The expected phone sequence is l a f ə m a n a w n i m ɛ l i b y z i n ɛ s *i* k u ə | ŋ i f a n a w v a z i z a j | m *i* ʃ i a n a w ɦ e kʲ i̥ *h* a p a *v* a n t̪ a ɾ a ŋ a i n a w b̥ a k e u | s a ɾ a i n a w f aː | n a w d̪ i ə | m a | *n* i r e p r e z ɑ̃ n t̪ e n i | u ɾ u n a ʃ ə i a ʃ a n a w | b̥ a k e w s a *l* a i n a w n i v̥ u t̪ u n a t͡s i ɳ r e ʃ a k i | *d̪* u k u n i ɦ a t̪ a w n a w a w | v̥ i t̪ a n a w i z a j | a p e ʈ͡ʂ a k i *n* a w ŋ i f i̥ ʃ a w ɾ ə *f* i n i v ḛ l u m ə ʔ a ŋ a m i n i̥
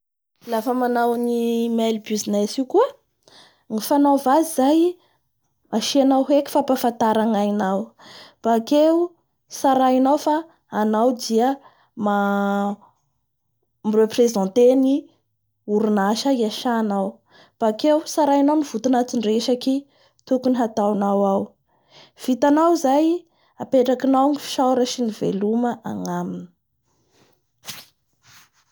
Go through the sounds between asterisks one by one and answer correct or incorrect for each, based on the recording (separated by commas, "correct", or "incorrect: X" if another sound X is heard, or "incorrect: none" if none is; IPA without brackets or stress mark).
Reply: correct, incorrect: a, incorrect: f, incorrect: f, incorrect: m, incorrect: ɾ, incorrect: t̪, correct, incorrect: ʃ